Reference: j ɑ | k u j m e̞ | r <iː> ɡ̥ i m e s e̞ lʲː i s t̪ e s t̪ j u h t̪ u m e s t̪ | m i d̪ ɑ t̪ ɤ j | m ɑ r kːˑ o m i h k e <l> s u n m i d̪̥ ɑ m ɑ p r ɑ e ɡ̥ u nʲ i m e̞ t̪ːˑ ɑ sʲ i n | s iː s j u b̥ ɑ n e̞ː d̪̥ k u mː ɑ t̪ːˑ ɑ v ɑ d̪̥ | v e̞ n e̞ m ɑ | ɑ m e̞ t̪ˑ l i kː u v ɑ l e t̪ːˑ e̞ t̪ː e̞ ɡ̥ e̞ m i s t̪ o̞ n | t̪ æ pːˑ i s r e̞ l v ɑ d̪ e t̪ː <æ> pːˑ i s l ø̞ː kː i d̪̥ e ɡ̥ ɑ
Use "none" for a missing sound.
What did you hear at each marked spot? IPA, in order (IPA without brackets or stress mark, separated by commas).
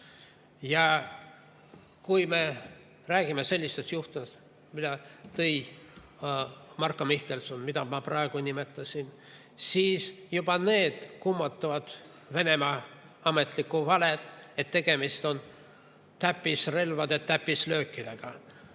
æː, l, æ